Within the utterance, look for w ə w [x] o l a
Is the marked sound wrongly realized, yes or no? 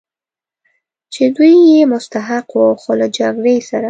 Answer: no